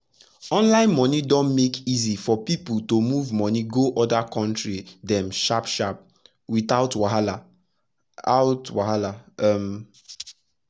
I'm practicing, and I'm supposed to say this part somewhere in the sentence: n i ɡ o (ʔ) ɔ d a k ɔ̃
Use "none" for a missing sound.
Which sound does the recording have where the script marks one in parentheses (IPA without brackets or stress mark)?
ʔ